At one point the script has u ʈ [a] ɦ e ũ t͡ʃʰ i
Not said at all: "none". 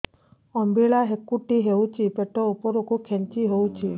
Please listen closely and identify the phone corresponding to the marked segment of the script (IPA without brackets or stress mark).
i